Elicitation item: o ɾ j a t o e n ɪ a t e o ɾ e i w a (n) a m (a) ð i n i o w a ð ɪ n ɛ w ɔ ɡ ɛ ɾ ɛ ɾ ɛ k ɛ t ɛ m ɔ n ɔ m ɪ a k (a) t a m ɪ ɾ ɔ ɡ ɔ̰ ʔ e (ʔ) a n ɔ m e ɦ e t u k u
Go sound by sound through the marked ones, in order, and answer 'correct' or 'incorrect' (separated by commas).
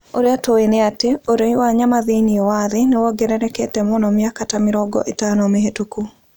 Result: incorrect, correct, correct, incorrect